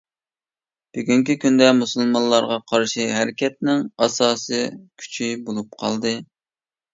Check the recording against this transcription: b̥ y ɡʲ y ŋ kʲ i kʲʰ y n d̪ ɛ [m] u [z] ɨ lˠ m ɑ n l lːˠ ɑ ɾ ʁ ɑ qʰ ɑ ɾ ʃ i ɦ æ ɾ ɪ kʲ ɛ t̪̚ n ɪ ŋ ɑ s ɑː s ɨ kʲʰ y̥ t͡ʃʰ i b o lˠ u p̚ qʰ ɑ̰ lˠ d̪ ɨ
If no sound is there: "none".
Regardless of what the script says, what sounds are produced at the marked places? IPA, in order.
m, s

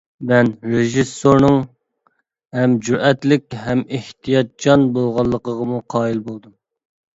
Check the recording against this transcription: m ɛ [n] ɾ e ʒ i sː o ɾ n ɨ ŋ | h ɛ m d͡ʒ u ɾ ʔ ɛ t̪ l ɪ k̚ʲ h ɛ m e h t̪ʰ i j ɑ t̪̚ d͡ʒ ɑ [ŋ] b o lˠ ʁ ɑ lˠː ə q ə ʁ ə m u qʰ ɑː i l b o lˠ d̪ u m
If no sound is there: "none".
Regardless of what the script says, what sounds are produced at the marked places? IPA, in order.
n, n

